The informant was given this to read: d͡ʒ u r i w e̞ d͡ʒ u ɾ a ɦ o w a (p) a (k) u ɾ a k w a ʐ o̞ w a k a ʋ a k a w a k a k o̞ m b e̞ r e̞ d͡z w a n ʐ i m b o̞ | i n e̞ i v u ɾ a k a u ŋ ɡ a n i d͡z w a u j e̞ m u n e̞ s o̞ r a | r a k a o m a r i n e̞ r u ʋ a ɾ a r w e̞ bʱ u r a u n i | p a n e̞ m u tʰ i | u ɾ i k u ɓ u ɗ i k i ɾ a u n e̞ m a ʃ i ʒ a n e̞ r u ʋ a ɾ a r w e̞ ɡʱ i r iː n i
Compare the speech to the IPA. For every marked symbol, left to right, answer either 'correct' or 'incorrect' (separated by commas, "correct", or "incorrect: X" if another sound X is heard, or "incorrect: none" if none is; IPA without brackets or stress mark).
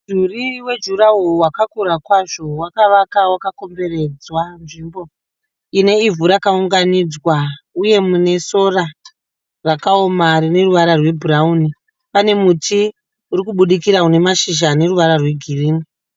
incorrect: k, correct